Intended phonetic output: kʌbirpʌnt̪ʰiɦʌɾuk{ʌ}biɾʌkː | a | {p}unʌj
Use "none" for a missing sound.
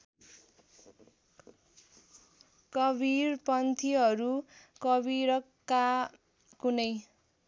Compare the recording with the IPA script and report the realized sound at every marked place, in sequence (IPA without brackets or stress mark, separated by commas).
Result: ʌ, k